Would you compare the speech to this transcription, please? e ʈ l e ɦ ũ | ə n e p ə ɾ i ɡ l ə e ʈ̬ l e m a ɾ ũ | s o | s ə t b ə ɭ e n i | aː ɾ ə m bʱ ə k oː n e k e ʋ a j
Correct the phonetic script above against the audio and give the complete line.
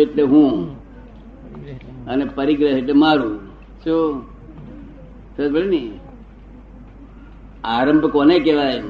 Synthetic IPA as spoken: e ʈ l e ɦ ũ | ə n e p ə ɾ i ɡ ɾ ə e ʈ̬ l e m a ɾ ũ | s o | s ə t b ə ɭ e n i | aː ɾ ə m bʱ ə k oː n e k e ʋ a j